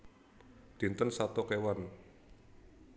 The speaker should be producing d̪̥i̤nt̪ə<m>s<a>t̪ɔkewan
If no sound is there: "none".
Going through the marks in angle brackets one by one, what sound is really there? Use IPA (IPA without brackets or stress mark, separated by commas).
n, a